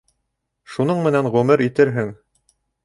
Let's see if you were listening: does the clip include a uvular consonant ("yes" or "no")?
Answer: yes